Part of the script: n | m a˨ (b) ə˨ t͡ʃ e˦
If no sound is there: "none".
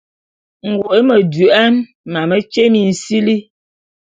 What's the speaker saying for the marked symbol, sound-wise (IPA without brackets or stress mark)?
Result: m